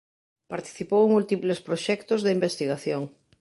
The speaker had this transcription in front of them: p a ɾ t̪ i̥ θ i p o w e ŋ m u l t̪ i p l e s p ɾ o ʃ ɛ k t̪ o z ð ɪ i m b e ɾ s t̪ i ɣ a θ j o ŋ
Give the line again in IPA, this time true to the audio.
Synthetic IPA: p a ɾ t̪ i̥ θ i p o w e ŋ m u l t̪ i p l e s p ɾ o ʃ ɛ k t̪ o z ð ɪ i m b e s t̪ i ɣ a θ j o ŋ